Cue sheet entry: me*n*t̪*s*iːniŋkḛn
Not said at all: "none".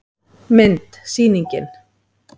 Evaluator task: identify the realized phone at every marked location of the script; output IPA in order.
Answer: n, s

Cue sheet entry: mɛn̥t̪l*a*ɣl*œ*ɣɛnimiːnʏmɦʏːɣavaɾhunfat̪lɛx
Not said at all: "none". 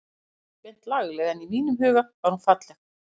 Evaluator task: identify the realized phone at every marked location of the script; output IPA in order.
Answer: a, ɛ

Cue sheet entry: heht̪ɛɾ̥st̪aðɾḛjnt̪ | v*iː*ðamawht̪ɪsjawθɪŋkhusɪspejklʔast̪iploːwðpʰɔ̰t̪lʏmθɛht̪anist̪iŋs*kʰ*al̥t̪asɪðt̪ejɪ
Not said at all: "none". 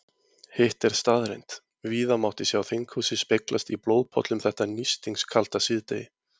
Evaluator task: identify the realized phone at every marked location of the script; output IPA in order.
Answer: iː, kʰ

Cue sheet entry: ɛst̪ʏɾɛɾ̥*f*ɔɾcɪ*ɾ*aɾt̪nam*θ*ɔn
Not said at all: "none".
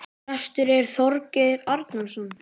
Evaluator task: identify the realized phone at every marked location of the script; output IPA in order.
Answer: θ, ɾ, s

